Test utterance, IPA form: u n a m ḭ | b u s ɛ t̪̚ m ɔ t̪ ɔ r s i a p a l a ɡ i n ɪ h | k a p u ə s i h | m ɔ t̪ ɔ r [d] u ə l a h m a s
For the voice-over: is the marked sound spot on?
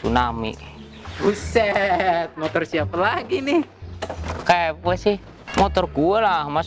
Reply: no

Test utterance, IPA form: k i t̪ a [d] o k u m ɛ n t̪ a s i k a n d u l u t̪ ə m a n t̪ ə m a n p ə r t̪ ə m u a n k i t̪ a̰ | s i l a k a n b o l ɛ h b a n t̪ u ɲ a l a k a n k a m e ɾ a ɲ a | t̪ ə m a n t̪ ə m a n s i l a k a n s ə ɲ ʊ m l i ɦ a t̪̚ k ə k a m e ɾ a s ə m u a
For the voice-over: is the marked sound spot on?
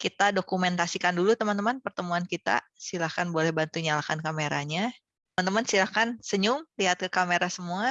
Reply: yes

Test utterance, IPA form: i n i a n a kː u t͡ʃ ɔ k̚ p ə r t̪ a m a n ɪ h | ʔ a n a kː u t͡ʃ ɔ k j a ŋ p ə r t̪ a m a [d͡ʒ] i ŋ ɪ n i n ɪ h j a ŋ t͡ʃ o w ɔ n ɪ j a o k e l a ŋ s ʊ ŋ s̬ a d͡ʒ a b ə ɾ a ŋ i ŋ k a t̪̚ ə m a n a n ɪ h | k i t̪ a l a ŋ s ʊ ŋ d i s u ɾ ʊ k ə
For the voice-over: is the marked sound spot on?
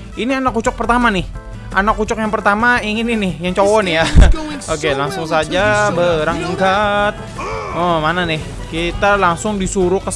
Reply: no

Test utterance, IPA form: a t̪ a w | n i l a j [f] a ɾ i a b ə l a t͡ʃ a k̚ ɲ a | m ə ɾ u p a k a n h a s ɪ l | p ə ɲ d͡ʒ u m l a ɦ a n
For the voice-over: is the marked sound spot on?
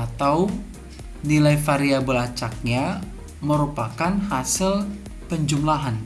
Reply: yes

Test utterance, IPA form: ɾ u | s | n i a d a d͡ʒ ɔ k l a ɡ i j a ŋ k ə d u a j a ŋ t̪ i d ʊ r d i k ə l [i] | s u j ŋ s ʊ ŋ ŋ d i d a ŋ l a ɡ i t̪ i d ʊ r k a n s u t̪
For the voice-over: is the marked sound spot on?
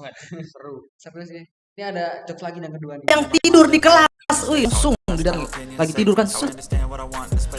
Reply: no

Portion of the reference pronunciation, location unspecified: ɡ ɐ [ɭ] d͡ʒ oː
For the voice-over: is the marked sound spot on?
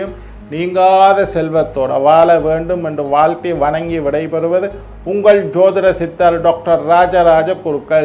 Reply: yes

